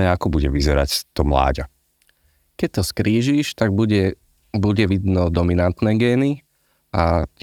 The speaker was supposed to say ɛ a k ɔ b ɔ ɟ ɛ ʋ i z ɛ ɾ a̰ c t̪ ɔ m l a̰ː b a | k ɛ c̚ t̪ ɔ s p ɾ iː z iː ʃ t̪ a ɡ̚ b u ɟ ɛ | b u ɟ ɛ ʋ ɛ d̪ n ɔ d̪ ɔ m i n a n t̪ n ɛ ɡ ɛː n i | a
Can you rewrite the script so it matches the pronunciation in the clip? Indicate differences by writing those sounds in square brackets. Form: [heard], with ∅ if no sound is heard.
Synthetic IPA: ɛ a k ɔ b [u] ɟ ɛ ʋ i z ɛ ɾ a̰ c t̪ ɔ m l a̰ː [ɟ] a | k ɛ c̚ t̪ ɔ s [k] ɾ iː [ʒ] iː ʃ t̪ a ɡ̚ b u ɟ ɛ | b u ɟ ɛ ʋ [i] d̪ n ɔ d̪ ɔ m i n a n t̪ n ɛ ɡ ɛː n i | a